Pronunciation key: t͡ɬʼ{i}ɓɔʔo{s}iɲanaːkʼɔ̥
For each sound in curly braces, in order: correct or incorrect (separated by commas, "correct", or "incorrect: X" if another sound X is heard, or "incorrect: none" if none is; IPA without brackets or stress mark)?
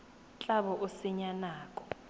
incorrect: a, correct